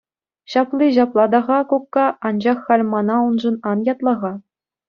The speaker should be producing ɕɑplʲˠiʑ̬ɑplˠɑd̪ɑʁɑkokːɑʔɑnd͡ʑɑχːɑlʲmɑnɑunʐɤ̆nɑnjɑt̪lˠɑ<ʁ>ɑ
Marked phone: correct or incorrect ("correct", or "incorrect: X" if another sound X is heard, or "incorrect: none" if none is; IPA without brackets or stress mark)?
correct